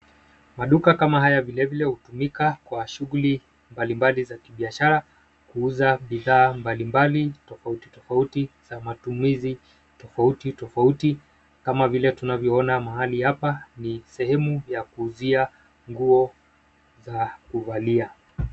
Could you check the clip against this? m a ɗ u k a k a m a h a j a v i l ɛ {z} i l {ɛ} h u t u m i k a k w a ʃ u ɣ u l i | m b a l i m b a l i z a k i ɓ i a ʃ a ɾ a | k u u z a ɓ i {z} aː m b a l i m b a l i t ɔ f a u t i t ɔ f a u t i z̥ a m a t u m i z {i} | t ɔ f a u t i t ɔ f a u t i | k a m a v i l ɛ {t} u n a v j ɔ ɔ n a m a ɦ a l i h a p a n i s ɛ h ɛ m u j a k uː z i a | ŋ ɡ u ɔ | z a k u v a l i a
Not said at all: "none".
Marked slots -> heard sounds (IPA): v, ɛ, ð, i, t

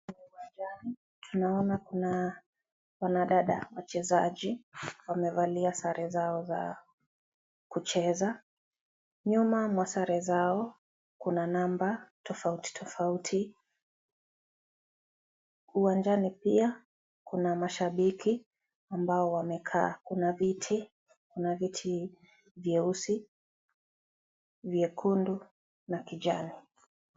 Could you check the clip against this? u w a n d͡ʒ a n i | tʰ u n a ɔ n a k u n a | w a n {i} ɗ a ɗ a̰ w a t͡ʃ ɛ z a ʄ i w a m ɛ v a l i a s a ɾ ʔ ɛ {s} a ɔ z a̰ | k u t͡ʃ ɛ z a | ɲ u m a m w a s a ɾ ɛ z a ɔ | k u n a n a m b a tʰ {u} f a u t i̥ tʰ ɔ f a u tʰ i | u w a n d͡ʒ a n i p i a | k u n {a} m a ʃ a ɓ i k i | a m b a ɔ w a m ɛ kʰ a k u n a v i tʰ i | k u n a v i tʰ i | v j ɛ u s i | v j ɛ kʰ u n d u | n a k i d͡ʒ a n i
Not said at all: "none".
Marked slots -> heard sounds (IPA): a, z, ɔ, a

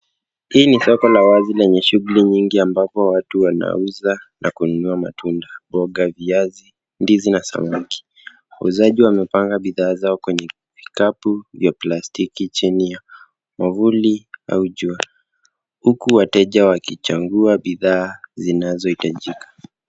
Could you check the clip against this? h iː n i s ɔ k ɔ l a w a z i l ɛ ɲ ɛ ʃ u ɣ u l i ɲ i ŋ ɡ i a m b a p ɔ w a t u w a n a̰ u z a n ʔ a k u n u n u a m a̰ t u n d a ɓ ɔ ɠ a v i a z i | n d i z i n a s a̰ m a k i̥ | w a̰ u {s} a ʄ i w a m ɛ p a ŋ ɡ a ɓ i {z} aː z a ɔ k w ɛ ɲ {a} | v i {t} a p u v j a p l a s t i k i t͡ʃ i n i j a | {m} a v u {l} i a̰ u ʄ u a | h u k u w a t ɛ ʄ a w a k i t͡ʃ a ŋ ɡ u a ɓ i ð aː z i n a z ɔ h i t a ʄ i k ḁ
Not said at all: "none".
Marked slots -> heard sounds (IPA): z, ð, ɛ, k, m, l

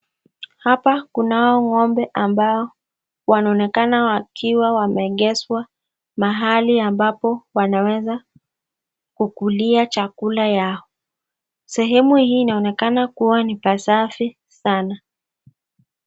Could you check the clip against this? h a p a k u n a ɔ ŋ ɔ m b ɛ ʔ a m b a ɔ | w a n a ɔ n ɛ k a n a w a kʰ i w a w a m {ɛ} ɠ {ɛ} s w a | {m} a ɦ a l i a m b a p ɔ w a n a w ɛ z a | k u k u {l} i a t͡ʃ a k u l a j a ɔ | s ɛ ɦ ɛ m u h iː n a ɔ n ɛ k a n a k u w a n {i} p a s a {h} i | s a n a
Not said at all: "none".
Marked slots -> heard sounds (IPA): ɛ, ɛ, m, l, i, f

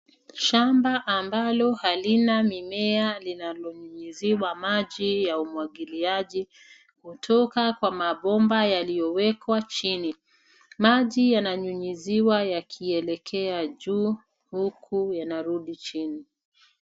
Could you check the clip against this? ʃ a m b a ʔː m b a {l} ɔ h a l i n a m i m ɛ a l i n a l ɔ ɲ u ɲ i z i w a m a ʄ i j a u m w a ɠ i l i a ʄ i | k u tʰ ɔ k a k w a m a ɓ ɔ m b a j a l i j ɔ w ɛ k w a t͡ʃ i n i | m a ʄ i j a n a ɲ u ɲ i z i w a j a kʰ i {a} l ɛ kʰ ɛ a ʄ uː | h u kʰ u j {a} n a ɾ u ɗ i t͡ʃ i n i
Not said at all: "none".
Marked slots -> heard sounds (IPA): l, ɛ, a

